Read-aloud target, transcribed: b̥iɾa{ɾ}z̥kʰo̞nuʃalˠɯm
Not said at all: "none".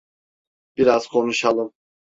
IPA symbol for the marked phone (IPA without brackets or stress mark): none